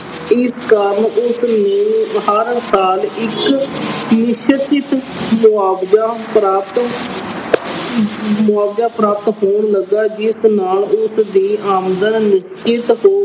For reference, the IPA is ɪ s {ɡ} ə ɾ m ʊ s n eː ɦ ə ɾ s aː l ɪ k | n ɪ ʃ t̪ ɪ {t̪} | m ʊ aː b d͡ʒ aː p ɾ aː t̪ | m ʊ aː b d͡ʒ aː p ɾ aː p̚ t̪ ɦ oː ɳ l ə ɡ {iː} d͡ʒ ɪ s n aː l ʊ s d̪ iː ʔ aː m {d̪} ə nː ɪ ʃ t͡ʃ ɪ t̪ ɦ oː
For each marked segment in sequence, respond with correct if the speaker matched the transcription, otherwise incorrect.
incorrect: k, correct, incorrect: aː, correct

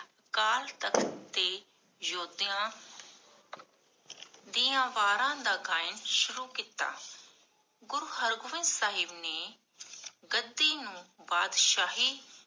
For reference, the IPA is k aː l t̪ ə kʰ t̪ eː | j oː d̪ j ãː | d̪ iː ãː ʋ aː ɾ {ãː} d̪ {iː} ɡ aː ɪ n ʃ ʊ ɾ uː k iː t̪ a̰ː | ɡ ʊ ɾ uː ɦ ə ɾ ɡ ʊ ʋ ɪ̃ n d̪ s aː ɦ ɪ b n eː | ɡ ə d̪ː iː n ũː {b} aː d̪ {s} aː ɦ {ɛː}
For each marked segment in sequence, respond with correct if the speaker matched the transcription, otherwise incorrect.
correct, incorrect: aː, correct, incorrect: ʃ, incorrect: iː

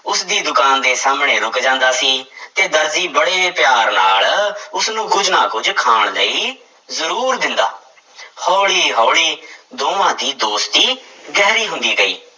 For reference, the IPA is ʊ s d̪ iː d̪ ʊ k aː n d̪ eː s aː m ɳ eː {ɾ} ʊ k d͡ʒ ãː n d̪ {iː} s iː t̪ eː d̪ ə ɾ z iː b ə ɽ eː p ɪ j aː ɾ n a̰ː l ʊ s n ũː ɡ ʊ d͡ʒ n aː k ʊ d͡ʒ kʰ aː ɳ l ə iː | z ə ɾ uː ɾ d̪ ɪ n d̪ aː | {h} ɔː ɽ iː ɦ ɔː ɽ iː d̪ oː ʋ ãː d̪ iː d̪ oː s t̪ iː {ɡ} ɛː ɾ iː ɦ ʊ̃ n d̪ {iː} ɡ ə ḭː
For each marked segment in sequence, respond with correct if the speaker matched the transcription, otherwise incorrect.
correct, incorrect: aː, correct, correct, correct

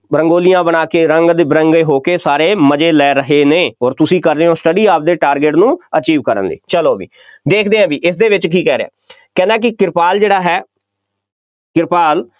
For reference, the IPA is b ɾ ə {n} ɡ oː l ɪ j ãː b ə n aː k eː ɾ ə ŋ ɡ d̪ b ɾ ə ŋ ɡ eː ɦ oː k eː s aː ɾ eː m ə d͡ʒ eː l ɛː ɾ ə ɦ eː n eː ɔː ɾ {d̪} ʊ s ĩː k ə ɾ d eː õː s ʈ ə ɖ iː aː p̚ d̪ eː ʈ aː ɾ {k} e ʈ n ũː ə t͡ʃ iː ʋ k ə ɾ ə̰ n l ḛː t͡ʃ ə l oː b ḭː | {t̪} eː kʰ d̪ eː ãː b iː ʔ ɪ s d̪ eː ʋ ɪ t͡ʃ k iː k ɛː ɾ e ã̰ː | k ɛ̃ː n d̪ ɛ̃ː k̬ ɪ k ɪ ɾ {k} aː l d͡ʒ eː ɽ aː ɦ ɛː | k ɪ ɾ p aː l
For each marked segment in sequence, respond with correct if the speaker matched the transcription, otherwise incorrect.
incorrect: ŋ, incorrect: t̪, incorrect: ɡ, incorrect: d̪, incorrect: p

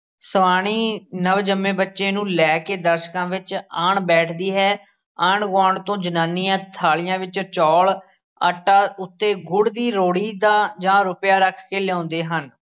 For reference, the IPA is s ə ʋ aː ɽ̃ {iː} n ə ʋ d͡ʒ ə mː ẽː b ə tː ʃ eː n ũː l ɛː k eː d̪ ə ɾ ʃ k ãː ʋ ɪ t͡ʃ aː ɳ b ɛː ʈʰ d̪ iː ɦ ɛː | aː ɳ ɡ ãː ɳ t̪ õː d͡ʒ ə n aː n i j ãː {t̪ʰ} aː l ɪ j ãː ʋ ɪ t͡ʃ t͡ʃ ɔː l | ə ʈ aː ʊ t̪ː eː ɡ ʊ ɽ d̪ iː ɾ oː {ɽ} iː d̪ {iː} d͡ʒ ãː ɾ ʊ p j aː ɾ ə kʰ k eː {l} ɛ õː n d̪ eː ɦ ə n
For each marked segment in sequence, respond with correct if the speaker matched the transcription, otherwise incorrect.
correct, correct, correct, incorrect: aː, correct

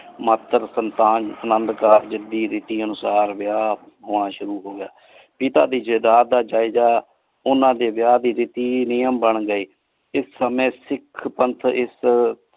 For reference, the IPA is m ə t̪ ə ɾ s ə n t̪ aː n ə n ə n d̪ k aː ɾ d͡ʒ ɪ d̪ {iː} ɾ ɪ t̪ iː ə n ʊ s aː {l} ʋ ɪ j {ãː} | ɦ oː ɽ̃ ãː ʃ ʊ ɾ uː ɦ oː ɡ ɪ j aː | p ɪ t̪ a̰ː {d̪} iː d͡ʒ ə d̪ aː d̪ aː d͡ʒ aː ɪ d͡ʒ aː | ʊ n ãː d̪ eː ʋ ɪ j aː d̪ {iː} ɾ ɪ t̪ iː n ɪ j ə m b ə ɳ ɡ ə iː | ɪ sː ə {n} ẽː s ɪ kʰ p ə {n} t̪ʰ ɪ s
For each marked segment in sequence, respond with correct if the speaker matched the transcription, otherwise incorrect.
correct, incorrect: ɾ, incorrect: aː, correct, correct, incorrect: m, correct

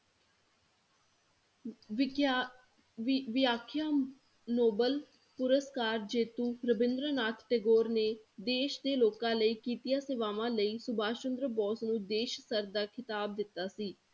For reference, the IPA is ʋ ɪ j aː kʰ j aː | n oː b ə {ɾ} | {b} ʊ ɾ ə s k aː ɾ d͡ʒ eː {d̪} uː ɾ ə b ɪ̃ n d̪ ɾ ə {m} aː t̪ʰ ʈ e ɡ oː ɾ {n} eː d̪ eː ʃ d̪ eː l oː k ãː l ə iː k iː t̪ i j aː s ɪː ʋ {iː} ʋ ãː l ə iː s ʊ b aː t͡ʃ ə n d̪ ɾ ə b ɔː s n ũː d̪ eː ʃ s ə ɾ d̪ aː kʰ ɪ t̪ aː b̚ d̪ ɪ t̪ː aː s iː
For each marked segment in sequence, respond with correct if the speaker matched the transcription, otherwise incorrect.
incorrect: l, incorrect: p, incorrect: t̪, incorrect: n, correct, incorrect: aː

